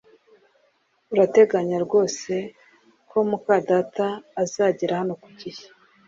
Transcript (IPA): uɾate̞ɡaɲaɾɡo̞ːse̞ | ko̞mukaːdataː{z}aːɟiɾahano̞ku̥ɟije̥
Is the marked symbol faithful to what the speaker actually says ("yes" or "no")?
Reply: yes